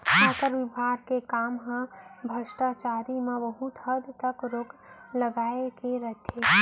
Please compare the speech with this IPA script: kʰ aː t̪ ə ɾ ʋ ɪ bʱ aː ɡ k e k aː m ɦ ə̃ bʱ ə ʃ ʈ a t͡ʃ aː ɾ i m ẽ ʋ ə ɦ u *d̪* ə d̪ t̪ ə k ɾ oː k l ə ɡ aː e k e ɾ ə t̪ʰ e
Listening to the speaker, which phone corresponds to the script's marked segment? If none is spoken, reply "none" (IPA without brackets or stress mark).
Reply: t̪